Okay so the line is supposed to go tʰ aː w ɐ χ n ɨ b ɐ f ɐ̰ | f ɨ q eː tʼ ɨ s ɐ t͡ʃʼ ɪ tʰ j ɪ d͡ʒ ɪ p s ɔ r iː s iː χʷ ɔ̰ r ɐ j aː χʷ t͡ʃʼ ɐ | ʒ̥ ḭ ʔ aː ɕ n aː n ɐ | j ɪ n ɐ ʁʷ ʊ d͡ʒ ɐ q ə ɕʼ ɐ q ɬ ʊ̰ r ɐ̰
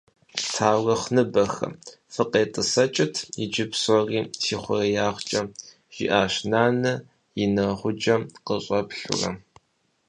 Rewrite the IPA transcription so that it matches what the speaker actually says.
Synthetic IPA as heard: tʰ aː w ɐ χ n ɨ b ɐ x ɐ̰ | f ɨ q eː tʼ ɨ s ɐ t͡ʃʼ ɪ tʰ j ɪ d͡ʒ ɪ p s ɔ r iː s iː χʷ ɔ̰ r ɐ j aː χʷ t͡ʃʼ ɐ | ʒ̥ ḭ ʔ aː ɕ n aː n ɐ | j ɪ n ɐ ʁʷ ʊ d͡ʒ ɐ q ə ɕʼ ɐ p ɬ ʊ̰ r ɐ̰